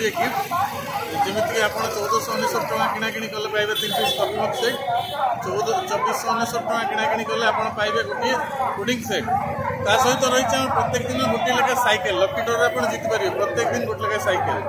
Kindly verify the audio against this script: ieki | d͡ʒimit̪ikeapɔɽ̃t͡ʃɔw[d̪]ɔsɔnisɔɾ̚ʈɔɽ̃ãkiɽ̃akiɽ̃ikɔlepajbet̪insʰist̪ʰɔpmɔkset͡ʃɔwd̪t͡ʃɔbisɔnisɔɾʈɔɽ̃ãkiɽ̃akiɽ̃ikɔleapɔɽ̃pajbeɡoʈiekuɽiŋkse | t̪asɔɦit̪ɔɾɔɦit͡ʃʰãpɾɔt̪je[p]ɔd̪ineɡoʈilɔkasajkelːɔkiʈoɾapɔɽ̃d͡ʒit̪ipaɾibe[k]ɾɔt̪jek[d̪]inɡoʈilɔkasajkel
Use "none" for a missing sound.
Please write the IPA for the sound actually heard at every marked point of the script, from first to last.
d̪, k, p, d̪

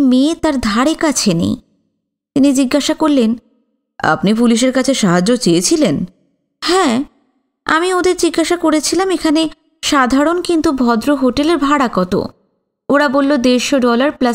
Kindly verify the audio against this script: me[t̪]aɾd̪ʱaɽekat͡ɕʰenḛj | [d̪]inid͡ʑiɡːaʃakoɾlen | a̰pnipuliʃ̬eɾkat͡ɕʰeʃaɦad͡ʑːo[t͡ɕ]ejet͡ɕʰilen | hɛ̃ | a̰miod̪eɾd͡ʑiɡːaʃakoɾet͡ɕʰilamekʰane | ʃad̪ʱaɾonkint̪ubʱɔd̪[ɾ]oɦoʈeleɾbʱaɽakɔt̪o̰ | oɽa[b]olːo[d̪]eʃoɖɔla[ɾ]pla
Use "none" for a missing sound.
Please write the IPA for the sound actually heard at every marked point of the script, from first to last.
t̪, t̪, t͡ɕ, ɾ, b, d̪, ɾ

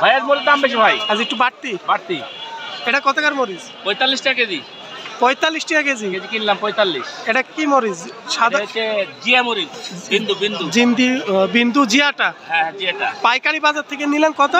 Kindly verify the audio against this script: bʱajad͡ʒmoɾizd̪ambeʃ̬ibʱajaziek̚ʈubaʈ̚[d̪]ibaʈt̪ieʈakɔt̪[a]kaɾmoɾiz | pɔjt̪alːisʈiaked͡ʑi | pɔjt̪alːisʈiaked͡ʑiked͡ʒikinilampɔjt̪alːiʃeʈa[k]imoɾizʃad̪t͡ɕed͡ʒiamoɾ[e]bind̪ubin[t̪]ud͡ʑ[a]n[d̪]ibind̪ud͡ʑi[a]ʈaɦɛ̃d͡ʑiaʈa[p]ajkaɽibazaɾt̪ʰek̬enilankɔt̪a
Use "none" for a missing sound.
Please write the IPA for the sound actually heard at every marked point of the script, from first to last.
t̪, a, k, i, d̪, i, d̪, a, p

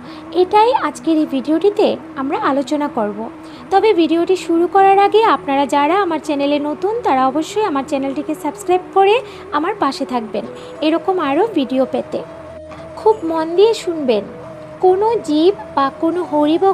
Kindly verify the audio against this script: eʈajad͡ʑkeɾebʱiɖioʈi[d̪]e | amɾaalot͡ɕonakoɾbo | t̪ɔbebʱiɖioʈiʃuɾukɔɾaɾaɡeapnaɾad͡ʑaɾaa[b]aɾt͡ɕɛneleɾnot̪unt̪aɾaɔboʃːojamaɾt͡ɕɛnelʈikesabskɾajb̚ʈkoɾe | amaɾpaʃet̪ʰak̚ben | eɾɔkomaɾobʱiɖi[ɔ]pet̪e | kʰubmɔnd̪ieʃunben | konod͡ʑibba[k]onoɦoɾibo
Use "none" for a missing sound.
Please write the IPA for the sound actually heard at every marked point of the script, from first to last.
t̪, m, o, k

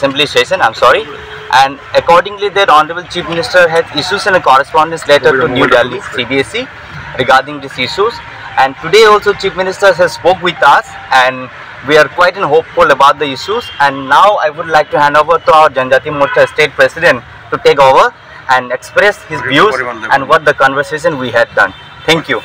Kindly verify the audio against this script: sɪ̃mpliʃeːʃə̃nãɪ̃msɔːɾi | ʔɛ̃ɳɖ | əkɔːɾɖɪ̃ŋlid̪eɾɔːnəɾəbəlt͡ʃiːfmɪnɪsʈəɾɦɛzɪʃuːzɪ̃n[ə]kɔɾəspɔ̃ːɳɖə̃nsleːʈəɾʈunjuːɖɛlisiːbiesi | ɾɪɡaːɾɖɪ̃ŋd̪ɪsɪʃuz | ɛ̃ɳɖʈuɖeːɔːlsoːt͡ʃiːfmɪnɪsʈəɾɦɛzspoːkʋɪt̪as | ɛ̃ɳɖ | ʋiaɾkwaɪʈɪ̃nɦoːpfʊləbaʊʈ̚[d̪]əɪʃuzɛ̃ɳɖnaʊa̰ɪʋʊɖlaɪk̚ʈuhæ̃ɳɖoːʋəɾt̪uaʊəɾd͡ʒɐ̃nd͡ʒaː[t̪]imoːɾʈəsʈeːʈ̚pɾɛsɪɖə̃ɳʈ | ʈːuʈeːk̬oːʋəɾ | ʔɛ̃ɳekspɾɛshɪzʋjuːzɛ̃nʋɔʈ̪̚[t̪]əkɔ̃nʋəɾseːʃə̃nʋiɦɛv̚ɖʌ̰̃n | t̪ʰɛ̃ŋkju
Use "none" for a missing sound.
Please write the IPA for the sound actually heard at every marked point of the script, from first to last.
ə, d̪, t̪, d̪

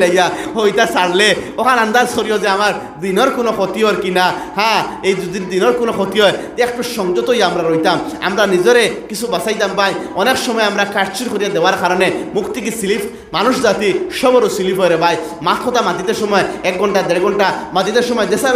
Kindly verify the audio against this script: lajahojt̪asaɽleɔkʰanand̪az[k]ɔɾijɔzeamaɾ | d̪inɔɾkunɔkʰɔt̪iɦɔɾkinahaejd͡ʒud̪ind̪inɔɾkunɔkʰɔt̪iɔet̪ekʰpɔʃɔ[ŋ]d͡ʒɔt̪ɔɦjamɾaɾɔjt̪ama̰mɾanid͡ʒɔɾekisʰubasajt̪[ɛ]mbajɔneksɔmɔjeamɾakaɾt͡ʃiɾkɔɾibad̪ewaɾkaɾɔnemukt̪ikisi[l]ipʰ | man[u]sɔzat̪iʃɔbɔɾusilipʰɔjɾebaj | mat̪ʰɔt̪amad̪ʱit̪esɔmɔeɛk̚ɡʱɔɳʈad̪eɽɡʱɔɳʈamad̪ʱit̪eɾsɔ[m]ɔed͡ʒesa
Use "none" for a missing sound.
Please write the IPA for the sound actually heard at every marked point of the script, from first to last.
k, ŋ, a, l, u, m

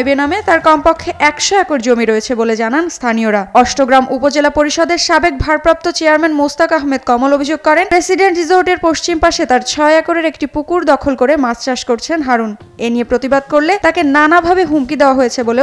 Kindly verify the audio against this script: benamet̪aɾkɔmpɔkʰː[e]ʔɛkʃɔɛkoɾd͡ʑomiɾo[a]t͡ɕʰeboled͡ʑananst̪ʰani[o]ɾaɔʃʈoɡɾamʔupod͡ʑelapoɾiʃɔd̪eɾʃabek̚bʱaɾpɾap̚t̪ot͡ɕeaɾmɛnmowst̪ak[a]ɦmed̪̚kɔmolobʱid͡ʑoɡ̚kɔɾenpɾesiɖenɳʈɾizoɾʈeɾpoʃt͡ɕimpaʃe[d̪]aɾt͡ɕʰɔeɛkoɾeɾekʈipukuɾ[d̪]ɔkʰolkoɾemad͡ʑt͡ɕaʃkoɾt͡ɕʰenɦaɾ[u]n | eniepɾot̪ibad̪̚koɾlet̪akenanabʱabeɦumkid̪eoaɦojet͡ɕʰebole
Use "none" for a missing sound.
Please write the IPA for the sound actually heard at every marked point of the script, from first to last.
e, e, o, a, t̪, d̪, u

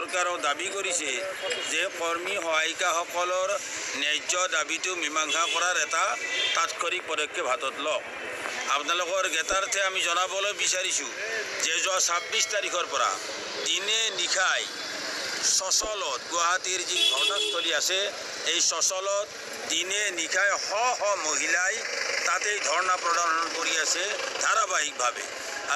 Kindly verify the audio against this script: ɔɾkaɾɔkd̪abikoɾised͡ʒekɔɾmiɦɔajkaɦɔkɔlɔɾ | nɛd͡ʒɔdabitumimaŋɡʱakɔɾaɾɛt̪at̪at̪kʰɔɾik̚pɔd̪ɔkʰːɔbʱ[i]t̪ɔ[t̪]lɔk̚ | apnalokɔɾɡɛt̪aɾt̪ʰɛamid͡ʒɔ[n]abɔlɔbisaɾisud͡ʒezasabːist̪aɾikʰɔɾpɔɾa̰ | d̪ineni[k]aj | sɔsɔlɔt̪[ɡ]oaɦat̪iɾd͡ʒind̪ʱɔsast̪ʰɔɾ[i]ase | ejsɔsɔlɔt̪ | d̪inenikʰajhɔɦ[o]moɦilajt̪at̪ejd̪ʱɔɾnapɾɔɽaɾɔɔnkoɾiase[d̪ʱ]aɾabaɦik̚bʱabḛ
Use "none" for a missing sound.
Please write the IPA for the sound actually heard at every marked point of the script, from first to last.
a, t̪, n, kʰ, ɡ, i, ɔ, d̪ʱ

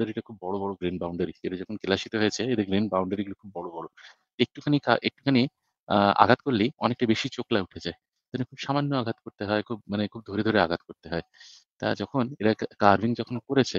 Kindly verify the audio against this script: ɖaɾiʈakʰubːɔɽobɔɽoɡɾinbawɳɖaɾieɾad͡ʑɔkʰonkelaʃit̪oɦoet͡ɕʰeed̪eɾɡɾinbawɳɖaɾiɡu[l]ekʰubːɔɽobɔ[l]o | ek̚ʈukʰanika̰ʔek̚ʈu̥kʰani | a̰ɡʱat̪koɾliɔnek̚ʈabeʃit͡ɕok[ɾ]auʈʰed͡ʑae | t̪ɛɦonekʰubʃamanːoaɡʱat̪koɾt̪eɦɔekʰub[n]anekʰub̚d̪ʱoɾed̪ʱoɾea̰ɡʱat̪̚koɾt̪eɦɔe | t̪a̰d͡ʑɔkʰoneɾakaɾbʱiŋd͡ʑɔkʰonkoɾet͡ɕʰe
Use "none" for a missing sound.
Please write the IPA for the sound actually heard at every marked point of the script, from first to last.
l, ɽ, l, m

